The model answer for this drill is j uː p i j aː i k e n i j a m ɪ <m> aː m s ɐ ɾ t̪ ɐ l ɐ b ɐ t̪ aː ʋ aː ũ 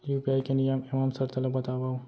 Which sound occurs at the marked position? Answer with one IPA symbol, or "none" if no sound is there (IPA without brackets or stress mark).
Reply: m